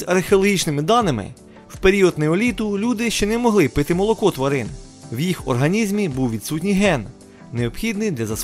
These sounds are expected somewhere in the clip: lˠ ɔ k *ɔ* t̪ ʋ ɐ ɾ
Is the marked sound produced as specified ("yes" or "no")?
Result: yes